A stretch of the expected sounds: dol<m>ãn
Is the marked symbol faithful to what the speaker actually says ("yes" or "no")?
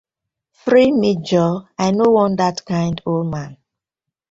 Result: yes